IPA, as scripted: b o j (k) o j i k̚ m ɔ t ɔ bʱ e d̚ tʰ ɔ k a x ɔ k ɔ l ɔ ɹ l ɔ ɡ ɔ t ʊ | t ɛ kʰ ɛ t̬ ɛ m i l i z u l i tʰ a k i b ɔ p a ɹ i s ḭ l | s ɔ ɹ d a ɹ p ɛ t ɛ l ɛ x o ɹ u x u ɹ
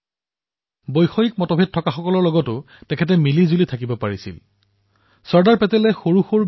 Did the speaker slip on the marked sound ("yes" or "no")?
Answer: yes